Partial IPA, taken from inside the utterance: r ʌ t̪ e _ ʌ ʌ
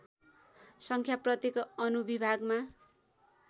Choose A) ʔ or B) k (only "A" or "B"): B